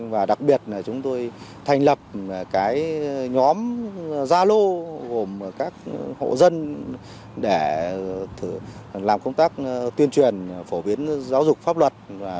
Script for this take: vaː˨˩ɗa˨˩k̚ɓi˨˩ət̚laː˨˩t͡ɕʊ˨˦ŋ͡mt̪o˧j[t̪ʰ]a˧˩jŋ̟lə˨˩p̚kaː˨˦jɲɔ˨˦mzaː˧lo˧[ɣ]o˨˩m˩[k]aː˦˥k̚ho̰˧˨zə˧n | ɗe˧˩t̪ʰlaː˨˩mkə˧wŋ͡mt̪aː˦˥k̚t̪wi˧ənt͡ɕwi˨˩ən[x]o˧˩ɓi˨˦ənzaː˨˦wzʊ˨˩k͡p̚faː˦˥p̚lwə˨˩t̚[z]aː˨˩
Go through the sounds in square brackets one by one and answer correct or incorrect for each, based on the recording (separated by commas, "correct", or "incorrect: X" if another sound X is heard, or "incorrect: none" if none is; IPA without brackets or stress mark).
correct, correct, correct, incorrect: f, incorrect: v